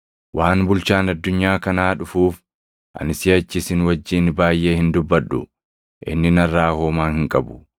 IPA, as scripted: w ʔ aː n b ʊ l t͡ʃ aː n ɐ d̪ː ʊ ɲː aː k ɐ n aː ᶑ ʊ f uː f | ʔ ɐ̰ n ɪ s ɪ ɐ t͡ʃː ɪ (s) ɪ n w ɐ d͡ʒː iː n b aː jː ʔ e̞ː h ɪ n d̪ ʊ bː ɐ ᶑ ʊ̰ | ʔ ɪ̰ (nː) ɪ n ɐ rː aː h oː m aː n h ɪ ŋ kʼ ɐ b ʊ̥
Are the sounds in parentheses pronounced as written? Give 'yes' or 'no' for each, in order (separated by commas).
yes, yes